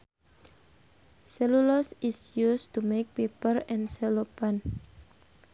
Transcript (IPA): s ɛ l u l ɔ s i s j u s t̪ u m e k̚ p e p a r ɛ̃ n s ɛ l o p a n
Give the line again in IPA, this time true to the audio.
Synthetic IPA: s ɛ l u l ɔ s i s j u s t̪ u m e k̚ p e p ə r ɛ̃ n s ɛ l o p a n